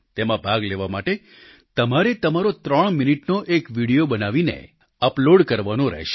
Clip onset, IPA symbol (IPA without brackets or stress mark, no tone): t̪